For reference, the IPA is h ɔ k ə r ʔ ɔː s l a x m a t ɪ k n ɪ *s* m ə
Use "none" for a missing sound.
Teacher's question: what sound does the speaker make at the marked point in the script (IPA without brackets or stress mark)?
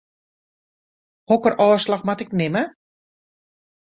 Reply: none